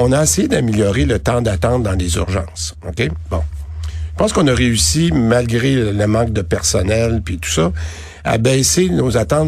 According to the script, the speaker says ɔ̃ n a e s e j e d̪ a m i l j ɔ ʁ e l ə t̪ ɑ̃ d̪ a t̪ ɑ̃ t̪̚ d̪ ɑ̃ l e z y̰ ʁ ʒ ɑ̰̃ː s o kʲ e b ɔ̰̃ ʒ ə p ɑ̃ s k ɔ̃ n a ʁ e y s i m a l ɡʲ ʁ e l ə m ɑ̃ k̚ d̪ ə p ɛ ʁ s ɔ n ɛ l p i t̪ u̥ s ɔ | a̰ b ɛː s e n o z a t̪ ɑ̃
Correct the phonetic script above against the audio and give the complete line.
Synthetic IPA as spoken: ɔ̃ n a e s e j e d̪ a m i l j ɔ ʁ e l ə t̪ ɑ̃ d̪ a t̪ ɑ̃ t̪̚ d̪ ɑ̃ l e z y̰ ʁ ʒ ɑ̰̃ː s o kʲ e b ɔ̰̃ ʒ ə p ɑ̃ s k ɔ̃ n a ʁ e y s i m a l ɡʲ ʁ e l ə m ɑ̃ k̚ d̪ ə p ɛ ʁ s ɔ n ɛ l p i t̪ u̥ s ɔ | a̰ b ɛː s e n o z a t̪ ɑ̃